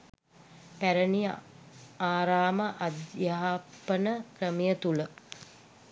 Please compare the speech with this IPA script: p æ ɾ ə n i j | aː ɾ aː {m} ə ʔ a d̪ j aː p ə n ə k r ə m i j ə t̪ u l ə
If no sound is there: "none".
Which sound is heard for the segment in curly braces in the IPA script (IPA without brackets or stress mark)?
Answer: m